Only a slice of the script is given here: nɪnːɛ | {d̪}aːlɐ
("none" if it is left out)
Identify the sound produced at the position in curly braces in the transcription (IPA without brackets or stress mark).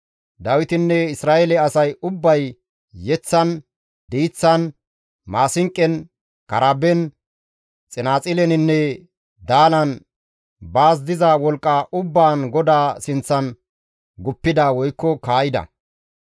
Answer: d̪